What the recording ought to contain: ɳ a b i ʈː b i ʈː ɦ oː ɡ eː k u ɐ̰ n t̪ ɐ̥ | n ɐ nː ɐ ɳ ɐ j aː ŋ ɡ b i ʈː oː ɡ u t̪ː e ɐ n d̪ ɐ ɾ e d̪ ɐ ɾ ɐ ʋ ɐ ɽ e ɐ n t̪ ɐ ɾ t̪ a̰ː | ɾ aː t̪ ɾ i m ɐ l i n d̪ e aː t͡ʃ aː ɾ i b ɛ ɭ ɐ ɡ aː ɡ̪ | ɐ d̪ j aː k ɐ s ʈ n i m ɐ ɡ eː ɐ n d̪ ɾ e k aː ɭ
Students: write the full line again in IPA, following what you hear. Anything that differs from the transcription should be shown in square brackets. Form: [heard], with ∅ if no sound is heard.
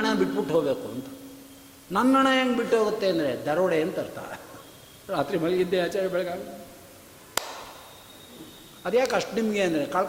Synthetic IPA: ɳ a b i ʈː b i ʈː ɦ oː [b] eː k u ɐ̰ n t̪ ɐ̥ | n ɐ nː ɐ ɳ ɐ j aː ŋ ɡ b i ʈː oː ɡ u t̪ː e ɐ n d̪ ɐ ɾ e d̪ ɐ ɾ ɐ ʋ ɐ ɽ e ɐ n t̪ ɐ ɾ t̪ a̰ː | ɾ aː t̪ ɾ i m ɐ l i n d̪ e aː t͡ʃ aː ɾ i b ɛ ɭ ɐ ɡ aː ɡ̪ | ɐ d̪ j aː k ɐ [ʂ] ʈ n i m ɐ ɡ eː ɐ n d̪ ɾ e k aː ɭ